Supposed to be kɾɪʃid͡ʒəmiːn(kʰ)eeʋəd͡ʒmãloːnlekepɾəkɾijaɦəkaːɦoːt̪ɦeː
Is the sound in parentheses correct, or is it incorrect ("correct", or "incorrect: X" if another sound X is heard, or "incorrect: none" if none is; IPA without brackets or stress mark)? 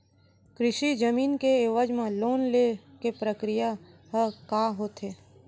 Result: incorrect: k